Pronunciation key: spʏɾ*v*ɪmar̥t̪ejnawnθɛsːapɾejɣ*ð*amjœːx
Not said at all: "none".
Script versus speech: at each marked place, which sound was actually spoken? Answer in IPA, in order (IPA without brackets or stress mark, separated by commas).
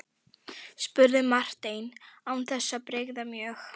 ð, ð